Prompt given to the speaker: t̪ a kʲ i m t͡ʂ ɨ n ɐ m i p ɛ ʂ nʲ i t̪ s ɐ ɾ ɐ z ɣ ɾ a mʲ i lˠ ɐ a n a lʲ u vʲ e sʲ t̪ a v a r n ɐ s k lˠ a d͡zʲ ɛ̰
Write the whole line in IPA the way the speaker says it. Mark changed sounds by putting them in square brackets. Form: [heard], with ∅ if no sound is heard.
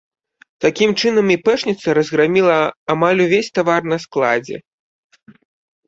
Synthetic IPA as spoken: t̪ a kʲ i m t͡ʂ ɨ n ɐ m i p ɛ ʂ nʲ i t̪ s ɐ ɾ ɐ z ɣ ɾ a mʲ i lˠ ɐ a [m] a lʲ u vʲ e sʲ t̪ a v a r n ɐ s k lˠ a d͡zʲ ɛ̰

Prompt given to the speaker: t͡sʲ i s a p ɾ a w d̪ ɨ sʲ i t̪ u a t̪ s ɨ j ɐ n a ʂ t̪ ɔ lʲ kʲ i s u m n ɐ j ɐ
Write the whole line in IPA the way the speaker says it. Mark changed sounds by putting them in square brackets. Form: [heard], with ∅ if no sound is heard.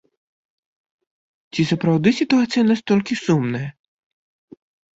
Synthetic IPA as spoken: t͡sʲ i s [ɐ] p ɾ a w d̪ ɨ sʲ i t̪ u a t̪ s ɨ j ɐ n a [s] t̪ ɔ lʲ kʲ i s u m n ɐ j ɐ

